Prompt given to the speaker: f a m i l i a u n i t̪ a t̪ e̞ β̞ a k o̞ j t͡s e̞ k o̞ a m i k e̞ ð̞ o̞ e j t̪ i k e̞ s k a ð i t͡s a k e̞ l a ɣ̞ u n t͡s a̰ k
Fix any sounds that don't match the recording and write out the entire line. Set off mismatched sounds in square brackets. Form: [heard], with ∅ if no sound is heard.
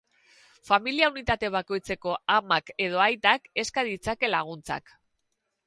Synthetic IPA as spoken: f a m i l i a u n i t̪ a t̪ e̞ β̞ a k o̞ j t͡s e̞ k o̞ a m [a] k e̞ ð̞ o̞ [a] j t̪ [a] k e̞ s k a ð i t͡s a k e̞ l a ɣ̞ u n t͡s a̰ k

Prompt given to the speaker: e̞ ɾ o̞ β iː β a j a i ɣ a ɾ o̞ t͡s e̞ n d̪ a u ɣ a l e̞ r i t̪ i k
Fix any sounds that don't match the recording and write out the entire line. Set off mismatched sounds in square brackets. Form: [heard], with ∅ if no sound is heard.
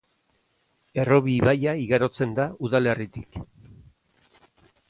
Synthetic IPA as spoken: e̞ [r] o̞ β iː β a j a i ɣ a ɾ o̞ t͡s e̞ n d̪ a u [ð] a l e̞ r i t̪ i k

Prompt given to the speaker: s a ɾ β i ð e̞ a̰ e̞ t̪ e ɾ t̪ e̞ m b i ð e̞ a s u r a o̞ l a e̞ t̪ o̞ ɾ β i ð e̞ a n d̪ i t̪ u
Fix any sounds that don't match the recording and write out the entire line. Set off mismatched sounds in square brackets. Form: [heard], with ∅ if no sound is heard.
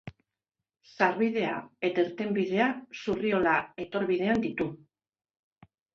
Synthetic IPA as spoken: s a ɾ β i ð e̞ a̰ e̞ t̪ e ɾ t̪ e̞ m b i ð e̞ a s u r [i] o̞ l a e̞ t̪ o̞ ɾ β i ð e̞ a n d̪ i t̪ u

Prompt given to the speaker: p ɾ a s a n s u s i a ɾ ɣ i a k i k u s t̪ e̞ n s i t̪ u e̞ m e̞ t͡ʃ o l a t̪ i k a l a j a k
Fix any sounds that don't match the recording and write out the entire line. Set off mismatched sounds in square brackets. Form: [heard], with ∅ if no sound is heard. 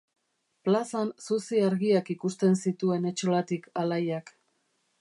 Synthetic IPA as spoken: p [l] a s a n s u s i a ɾ ɣ i a k i k u s t̪ e̞ n s i t̪ u e̞ [n] e̞ t͡ʃ o l a t̪ i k a l a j a k

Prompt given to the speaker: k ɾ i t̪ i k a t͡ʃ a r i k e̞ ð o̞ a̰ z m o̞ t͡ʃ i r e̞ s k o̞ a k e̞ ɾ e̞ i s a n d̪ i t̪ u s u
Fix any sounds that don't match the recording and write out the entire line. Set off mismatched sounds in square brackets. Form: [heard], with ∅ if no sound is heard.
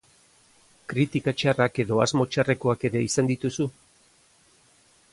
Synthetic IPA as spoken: k ɾ i t̪ i k a t͡ʃ a r [a] k e̞ ð o̞ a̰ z m o̞ t͡ʃ [a] r e̞ [∅] k o̞ a k e̞ ɾ e̞ i s a n d̪ i t̪ u s u

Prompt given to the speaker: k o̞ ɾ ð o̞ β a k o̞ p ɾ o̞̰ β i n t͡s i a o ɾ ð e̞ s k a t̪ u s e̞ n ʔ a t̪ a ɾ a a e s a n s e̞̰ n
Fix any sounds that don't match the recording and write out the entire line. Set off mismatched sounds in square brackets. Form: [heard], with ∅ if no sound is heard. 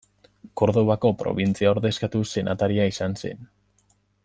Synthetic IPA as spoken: k o̞ ɾ ð o̞ β a k o̞ p ɾ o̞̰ β i n t͡s i a o ɾ ð e̞ s k a t̪ u s e̞ n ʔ a t̪ a ɾ [i] a [i] s a n s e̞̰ n

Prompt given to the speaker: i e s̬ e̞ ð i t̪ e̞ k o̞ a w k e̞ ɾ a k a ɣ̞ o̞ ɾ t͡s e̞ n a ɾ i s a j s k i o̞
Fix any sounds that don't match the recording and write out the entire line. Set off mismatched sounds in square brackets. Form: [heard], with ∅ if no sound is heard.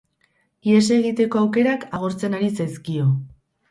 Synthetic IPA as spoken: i e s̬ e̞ [ɣ] i t̪ e̞ k o̞ a w k e̞ ɾ a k a ɣ̞ o̞ ɾ t͡s e̞ n a ɾ i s a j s k i o̞

